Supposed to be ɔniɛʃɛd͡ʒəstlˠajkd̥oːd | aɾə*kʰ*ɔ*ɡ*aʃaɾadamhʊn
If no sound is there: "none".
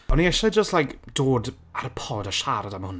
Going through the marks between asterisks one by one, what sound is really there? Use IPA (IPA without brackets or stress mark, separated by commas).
pʰ, d